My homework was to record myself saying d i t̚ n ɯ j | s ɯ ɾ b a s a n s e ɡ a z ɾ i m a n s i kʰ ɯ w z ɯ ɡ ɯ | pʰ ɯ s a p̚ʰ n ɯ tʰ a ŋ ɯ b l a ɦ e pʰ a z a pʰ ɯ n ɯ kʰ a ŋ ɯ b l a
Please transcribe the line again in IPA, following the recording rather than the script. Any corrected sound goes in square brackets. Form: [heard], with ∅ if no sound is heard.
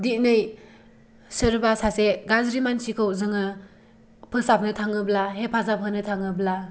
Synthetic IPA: d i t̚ n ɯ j | s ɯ ɾ b a s a [∅] s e ɡ a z ɾ i m a n s i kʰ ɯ w z ɯ [ŋ] ɯ | pʰ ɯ s a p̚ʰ n ɯ tʰ a ŋ ɯ b l a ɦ e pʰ a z a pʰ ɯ n ɯ [tʰ] a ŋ ɯ b l a